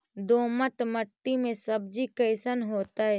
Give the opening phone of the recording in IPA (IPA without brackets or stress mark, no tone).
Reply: d̪